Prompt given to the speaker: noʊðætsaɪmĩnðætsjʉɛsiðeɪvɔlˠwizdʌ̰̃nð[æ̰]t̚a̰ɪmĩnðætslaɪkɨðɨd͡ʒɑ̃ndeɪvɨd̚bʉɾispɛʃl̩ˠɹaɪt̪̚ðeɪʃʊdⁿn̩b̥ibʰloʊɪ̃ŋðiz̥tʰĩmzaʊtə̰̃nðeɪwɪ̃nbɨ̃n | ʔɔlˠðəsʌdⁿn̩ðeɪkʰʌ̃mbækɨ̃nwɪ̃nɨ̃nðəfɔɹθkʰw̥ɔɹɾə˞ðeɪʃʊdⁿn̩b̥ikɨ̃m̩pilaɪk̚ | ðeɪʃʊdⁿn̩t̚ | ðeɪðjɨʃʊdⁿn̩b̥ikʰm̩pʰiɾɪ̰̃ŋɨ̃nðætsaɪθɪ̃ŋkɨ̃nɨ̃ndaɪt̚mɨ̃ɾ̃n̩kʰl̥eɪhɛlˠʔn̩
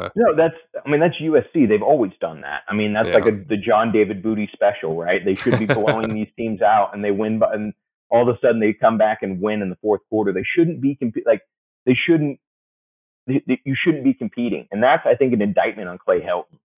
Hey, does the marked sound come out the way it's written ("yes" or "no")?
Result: yes